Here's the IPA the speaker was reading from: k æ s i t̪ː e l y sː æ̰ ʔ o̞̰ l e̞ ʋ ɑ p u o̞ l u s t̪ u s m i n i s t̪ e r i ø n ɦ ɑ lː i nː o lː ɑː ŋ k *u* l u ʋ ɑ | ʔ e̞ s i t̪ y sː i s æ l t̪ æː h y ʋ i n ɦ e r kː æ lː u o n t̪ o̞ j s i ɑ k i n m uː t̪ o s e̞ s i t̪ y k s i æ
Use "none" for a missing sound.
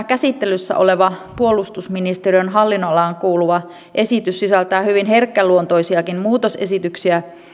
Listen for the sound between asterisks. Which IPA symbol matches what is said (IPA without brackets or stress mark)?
uː